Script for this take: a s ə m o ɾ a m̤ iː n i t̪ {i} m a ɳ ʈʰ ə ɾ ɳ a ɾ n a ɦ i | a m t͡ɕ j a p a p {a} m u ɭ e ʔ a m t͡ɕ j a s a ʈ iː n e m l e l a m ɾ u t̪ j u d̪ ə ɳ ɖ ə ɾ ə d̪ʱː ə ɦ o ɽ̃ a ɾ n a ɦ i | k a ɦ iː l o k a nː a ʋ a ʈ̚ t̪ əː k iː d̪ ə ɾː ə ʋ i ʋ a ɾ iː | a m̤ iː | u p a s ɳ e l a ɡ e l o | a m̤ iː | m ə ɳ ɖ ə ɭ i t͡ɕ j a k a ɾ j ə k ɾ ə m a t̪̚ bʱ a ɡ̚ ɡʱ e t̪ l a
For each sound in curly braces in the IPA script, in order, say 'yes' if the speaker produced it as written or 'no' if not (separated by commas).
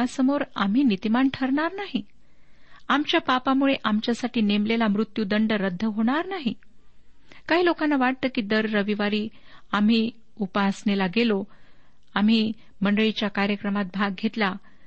yes, yes